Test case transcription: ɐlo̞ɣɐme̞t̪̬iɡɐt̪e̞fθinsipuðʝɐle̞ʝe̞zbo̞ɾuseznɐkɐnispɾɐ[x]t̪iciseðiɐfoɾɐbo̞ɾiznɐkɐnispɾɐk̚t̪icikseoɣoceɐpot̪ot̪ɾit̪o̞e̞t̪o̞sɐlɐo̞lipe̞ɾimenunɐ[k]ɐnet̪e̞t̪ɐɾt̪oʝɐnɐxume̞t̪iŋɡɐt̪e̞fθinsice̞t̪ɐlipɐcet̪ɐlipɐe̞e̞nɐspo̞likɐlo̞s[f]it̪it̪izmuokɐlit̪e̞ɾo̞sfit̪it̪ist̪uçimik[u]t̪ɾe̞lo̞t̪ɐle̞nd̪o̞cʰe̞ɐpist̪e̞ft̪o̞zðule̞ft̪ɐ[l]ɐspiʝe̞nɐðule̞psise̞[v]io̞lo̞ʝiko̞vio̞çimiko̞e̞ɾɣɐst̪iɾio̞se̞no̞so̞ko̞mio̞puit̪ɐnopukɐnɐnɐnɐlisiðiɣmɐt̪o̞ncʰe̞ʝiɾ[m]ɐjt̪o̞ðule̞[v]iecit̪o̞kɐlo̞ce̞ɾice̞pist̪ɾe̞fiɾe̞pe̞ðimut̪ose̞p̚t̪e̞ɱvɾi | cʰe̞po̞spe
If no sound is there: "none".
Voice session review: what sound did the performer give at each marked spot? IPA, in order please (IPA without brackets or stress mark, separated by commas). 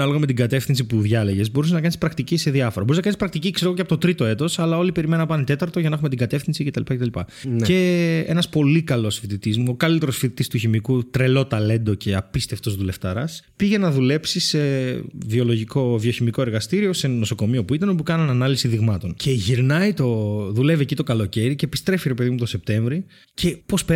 k, p, f, u, ɾ, v, n, v